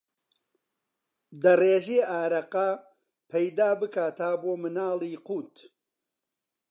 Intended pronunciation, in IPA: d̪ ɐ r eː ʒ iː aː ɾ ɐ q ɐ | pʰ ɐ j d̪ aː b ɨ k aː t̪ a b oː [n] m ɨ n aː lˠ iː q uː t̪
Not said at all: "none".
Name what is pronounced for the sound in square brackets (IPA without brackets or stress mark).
none